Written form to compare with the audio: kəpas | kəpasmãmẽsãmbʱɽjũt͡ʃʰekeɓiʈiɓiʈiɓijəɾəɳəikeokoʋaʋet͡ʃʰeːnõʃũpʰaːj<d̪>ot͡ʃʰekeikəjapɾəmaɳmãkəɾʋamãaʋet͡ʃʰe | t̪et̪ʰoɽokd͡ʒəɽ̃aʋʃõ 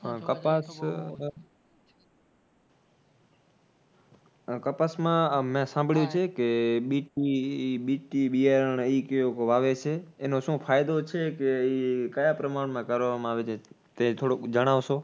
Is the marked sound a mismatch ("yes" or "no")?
no